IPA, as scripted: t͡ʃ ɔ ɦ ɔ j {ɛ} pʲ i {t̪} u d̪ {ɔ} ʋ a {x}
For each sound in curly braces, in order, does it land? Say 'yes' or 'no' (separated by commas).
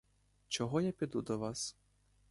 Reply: no, no, yes, no